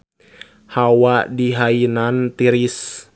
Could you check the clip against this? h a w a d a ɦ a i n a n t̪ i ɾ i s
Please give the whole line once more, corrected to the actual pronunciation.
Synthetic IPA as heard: h a w a d i ɦ a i n a n t̪ i ɾ i s